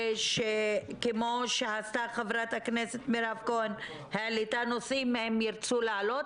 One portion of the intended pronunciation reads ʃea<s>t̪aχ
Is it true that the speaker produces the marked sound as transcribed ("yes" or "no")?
yes